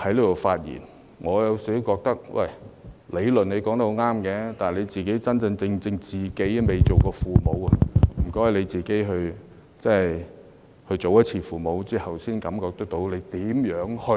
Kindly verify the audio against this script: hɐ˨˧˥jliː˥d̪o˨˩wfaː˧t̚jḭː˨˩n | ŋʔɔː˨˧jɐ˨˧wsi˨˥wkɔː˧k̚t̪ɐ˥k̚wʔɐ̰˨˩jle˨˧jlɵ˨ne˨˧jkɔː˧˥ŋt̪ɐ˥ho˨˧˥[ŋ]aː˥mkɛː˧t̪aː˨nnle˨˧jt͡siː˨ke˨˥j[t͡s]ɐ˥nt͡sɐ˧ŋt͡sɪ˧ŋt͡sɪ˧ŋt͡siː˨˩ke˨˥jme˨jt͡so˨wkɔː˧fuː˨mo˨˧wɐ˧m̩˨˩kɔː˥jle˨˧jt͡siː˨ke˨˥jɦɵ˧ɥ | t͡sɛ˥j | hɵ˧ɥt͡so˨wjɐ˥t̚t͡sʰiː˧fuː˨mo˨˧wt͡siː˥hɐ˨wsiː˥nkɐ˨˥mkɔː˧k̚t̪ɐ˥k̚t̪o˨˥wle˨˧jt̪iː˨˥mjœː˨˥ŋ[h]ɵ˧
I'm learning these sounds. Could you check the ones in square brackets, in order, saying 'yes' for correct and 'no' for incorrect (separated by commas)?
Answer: yes, yes, yes